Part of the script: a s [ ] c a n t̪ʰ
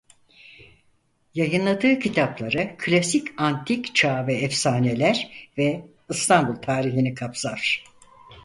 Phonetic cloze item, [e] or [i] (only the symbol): i